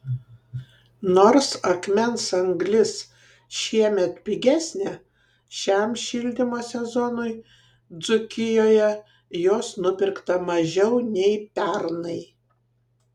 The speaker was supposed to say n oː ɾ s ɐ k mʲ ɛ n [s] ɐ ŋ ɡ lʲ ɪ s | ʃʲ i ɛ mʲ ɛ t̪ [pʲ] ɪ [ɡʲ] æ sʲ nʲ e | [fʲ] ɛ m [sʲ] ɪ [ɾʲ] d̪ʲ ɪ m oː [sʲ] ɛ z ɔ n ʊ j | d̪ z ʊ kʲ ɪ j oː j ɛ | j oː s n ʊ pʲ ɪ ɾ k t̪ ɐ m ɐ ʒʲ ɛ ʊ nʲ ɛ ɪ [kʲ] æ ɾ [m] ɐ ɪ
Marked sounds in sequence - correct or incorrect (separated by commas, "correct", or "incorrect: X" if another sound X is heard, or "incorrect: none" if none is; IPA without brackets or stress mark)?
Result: correct, correct, correct, incorrect: ʃʲ, incorrect: ʃʲ, incorrect: lʲ, correct, incorrect: pʲ, incorrect: n